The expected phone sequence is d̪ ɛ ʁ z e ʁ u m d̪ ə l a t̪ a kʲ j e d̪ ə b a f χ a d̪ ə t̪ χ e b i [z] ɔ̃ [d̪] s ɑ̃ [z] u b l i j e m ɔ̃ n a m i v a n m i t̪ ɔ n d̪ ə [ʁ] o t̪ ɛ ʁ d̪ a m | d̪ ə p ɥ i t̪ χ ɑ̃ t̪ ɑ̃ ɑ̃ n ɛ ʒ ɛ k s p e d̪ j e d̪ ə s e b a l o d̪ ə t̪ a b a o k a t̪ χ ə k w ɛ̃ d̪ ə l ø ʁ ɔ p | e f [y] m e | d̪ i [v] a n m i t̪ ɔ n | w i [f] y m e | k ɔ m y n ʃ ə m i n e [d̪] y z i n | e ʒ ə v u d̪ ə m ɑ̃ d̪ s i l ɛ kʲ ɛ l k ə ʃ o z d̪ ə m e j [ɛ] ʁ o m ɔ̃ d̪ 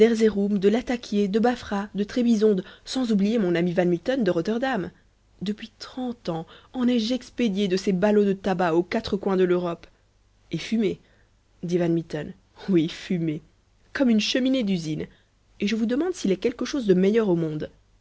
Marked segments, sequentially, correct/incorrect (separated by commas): correct, correct, correct, correct, correct, correct, correct, correct, incorrect